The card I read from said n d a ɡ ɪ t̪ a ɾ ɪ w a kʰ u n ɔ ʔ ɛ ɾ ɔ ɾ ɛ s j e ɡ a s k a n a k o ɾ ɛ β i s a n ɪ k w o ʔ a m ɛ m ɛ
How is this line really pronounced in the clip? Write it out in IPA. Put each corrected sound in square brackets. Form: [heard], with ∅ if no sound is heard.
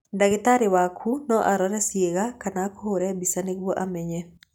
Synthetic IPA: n d a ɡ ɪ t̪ a ɾ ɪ w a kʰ u n ɔ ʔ [a] ɾ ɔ ɾ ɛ s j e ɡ a [∅] k a n a k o ɾ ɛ [b] i s a n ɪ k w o ʔ a m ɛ [ɲ] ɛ